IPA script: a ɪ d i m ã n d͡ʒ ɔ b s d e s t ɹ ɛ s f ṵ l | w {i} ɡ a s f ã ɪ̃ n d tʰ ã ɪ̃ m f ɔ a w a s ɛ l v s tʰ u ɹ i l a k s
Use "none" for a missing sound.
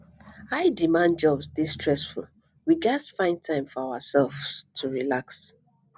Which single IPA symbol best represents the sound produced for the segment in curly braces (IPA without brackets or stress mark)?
i